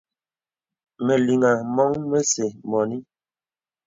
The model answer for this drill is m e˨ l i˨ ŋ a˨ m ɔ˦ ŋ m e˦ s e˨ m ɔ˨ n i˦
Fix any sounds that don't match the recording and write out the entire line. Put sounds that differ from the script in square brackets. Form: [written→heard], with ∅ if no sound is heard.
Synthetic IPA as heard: m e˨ l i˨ ŋ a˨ m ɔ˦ ŋ m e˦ s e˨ m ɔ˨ n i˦